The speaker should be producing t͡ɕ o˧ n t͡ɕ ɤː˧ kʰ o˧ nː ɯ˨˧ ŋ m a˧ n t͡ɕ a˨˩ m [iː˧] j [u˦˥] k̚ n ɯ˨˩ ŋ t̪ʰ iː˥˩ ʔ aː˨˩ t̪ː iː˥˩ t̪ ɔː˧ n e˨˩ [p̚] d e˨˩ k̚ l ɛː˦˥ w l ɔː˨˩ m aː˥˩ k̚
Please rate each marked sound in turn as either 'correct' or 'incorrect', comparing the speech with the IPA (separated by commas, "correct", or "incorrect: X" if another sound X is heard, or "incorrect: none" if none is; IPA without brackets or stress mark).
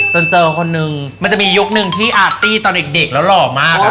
correct, correct, incorrect: k̚